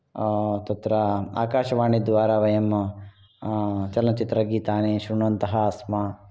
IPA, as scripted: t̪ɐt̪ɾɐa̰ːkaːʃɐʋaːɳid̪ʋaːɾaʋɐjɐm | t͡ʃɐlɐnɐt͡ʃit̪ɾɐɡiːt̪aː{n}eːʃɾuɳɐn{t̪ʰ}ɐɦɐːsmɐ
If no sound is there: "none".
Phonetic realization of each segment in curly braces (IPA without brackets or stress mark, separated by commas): n, t̪